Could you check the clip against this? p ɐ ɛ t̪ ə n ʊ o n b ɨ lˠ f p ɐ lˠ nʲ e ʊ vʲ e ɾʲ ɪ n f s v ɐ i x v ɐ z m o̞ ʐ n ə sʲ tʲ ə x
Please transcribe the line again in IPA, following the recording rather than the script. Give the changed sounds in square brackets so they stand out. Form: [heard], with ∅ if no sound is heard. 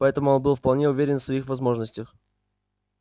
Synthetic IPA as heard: p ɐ ɛ t̪ ə [m] ʊ o n b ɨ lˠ f p ɐ lˠ nʲ e ʊ vʲ e ɾʲ ɪ n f s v ɐ i x v ɐ z m o̞ ʐ n ə sʲ tʲ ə x